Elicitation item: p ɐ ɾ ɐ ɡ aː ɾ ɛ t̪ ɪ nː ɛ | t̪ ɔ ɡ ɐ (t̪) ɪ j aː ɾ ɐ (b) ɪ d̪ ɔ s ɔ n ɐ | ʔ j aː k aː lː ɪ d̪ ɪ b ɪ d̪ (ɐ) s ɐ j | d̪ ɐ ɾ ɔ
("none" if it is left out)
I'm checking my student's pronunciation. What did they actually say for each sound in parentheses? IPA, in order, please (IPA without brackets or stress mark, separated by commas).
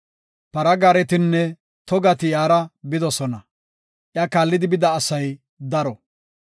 t̪, b, ɐː